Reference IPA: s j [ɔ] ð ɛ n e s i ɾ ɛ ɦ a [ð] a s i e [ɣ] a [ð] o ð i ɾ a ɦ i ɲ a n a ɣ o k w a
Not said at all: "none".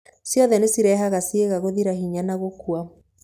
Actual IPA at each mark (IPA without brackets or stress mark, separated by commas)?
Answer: ɔ, ɣ, ɣ, ɣ